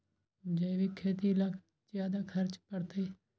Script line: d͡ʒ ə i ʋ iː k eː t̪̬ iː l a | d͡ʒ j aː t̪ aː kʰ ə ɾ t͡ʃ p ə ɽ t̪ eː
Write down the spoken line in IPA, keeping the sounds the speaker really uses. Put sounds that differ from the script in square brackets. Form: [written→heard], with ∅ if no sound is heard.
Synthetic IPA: d͡ʒ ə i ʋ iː [k→kʰ] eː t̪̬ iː l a | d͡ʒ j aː [t̪→d̪] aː kʰ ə ɾ t͡ʃ p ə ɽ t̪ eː